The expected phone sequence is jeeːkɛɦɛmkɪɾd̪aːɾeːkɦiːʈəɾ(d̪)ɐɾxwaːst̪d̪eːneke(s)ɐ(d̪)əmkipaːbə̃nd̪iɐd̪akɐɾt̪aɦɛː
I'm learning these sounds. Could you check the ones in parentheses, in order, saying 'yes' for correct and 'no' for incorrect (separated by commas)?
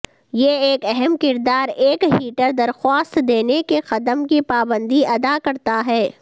yes, no, yes